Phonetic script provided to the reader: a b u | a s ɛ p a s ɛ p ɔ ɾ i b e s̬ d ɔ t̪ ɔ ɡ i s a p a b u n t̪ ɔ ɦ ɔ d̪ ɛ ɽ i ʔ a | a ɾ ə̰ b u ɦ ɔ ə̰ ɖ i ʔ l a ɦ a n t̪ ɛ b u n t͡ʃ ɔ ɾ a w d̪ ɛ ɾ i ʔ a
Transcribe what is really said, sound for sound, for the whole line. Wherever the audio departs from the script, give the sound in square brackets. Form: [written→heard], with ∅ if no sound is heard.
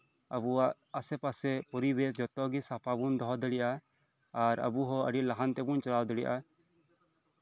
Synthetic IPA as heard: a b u | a s ɛ p a s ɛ p ɔ ɾ i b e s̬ [d→d͡ʒ] ɔ t̪ ɔ ɡ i s a p a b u n [t̪→d̪] ɔ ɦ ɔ d̪ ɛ ɽ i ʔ a | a ɾ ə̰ b u ɦ ɔ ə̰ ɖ i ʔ l a ɦ a n t̪ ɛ b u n t͡ʃ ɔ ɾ a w d̪ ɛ [ɾ→ɽ] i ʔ a